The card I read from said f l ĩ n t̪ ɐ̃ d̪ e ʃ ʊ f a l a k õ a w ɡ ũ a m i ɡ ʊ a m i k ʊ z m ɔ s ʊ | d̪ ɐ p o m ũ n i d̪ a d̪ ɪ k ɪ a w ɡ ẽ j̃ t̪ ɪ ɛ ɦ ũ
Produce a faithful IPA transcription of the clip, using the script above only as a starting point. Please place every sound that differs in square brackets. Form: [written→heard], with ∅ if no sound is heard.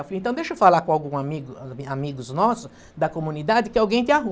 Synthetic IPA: f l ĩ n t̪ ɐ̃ d̪ e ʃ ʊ f a l a k õ a w ɡ ũ a m i ɡ ʊ a m i [k→ɡ] ʊ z [m→n] ɔ s ʊ | d̪ ɐ [p→k] o m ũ n i d̪ a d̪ ɪ k ɪ a w ɡ ẽ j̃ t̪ ɪ [ɛ→a] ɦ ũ